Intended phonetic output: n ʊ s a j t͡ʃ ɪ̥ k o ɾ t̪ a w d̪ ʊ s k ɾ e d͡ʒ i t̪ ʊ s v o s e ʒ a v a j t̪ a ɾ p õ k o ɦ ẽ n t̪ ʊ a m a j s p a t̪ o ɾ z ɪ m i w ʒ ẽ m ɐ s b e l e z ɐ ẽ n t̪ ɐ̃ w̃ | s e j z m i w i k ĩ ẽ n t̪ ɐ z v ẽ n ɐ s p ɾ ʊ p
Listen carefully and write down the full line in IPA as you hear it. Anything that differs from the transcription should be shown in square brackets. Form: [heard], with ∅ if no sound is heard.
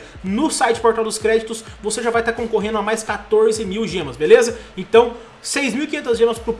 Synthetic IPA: n ʊ s a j t͡ʃ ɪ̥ [p] o ɾ t̪ a w d̪ ʊ s k ɾ [ɛ] d͡ʒ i t̪ ʊ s v o s e ʒ a v a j t̪ a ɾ [k] õ k o ɦ ẽ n [d̪] ʊ a m a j s [k] a t̪ o ɾ z ɪ m i w ʒ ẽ m ɐ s b e l e z ɐ ẽ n t̪ ɐ̃ w̃ | s e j z m i w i k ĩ ẽ n t̪ ɐ z [ʒ] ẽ [m] ɐ s p ɾ ʊ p